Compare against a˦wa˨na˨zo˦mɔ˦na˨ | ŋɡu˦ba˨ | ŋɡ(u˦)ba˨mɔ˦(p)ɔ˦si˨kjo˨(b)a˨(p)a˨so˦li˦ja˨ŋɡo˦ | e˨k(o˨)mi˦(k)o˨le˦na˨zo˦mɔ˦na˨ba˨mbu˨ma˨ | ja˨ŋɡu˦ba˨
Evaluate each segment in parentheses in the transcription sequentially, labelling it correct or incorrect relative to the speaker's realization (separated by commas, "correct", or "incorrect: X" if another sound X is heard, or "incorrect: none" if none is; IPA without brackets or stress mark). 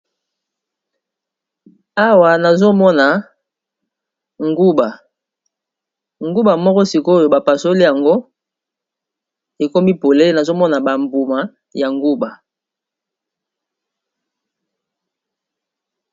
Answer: correct, incorrect: k, correct, correct, incorrect: o˦, incorrect: p